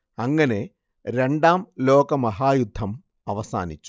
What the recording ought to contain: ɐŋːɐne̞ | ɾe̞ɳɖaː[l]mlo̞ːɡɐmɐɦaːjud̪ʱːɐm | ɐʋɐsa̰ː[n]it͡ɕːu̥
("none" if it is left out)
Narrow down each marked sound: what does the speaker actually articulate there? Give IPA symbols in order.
none, n

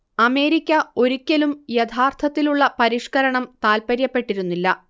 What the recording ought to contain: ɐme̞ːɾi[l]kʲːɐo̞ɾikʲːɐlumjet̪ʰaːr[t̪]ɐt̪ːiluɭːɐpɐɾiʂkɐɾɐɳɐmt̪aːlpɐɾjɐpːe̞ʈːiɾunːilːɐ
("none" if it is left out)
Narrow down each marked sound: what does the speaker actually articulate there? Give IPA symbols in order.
none, t̪ʰ

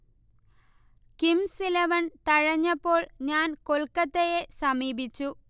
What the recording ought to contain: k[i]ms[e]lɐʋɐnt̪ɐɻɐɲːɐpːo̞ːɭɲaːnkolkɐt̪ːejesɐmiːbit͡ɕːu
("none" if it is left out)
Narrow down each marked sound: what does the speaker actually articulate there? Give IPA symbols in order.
i, i

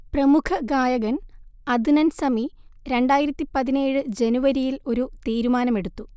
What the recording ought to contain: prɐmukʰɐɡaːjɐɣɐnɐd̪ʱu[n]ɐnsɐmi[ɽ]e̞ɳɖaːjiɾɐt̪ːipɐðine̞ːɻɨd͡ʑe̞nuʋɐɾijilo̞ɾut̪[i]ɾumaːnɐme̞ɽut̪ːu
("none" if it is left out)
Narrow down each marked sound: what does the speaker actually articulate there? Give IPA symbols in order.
n, ɾ, iː

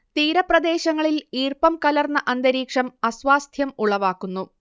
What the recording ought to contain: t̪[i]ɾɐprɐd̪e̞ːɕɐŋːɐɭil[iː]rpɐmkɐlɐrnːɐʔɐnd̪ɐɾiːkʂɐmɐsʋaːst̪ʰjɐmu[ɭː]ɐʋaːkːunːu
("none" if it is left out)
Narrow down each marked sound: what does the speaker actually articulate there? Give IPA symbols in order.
iː, iː, ɭ

